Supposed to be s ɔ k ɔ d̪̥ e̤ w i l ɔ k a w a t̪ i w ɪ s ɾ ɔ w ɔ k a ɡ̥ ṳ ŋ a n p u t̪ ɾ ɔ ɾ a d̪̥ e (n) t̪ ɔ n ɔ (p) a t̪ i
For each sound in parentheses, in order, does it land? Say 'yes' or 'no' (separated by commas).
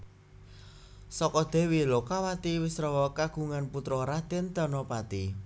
yes, yes